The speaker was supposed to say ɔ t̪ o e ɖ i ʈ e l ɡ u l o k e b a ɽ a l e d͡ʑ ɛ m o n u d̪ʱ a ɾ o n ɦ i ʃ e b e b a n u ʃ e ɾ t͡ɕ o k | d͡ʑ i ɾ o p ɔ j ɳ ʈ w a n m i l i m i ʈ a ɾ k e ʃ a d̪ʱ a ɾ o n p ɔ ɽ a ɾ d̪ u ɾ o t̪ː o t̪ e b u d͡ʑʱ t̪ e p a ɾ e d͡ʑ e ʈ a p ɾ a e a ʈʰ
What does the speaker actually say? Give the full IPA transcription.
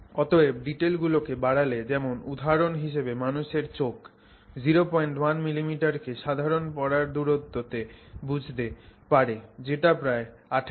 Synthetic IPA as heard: ɔ t̪ o e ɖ i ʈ e l ɡ u l o k e b a ɽ a l e d͡ʑ ɛ m o n u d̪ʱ a ɾ o n ɦ i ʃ e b e m a n u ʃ e ɾ t͡ɕ o k | d͡ʑ i ɾ o p ɔ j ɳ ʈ w a n m i l i m i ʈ a ɾ k e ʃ a d̪ʱ a ɾ o n p ɔ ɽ a ɾ d̪ u ɾ o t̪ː o t̪ e b u d͡ʑʱ t̪ e p a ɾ e d͡ʑ e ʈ a p ɾ a e a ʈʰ